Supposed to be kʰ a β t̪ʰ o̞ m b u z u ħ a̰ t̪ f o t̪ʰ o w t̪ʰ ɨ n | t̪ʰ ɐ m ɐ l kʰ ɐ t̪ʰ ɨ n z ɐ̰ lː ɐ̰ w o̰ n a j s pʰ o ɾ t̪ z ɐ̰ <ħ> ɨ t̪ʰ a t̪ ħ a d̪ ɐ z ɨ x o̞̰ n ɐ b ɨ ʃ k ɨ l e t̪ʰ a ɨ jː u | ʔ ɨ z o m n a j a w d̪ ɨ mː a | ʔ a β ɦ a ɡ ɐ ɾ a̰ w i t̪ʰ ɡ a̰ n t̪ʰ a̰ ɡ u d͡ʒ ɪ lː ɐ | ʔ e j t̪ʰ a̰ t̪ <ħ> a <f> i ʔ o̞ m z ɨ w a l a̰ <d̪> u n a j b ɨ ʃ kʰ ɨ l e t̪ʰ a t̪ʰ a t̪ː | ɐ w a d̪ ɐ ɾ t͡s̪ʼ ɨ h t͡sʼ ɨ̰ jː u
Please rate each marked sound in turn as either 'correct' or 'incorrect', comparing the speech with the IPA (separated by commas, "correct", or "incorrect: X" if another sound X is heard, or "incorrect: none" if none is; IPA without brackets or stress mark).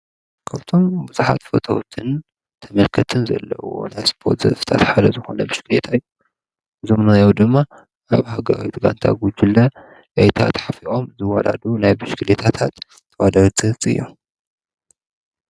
incorrect: f, correct, correct, correct